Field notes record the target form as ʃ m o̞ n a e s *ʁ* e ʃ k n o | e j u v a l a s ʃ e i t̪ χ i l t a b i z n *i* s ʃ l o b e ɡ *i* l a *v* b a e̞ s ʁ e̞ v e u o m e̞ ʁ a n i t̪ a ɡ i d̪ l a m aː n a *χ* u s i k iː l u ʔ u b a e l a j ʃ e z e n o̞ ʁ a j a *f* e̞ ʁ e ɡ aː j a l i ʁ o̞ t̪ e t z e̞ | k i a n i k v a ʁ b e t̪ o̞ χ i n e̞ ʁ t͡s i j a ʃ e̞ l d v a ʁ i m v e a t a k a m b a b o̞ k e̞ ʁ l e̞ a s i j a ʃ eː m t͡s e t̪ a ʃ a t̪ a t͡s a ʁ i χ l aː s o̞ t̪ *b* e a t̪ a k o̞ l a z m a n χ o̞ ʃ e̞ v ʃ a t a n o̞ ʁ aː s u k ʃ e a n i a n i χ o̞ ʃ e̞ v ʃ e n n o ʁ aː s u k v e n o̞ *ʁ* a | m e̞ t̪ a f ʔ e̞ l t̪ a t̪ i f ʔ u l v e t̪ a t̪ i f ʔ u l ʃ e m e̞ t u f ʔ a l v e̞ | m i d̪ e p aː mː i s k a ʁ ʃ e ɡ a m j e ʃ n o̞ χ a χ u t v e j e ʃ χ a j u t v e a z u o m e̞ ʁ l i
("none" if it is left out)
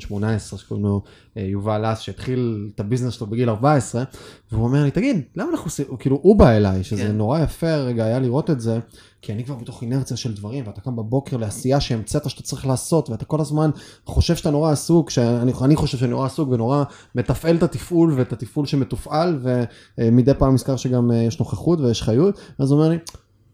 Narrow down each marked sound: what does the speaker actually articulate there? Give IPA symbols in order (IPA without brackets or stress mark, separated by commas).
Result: ʁ, e, i, ʁ, χ, f, v, ʁ